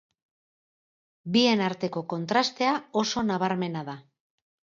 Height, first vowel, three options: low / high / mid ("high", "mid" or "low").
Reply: high